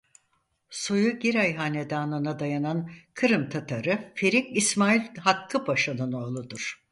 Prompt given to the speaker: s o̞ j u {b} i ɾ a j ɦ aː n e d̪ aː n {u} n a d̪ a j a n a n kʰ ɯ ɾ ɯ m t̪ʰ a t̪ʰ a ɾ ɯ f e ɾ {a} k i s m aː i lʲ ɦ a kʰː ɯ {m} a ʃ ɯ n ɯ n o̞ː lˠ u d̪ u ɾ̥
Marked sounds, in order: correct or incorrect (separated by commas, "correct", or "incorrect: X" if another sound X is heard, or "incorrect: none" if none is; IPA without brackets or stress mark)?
incorrect: ɟ, incorrect: ɯ, incorrect: i, incorrect: b